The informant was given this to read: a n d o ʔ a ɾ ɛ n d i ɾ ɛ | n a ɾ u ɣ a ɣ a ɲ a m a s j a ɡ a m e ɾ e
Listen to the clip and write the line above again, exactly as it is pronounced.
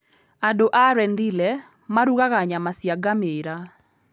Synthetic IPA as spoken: a d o ʔ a ɾ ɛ n d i l ɛ | m a ɾ u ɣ a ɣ a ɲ a m a s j a ɡ a m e ɾ a